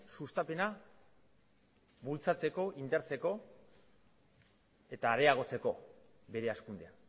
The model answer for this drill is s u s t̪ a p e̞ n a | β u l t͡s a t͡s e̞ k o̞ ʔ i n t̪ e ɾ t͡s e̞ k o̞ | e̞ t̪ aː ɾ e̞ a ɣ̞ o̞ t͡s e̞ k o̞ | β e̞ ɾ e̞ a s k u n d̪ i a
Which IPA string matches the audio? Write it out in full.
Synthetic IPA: s u s t̪ a p e̞ n a | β u l t͡s a t͡s e̞ k o̞ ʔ i n d̪ e ɾ t͡s e̞ k o̞ | e̞ t̪ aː ɾ e̞ a ɣ̞ o̞ t͡s e̞ k o̞ | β e̞ ɾ e̞ a s k u n d̪ e a